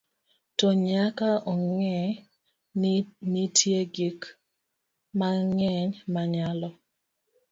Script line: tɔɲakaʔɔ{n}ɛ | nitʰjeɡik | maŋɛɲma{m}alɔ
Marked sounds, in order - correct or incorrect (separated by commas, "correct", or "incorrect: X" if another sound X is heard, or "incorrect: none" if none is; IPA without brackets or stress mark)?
incorrect: ŋ, incorrect: ɲ